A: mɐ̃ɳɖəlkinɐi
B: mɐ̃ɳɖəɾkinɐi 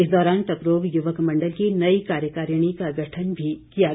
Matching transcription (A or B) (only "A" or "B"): A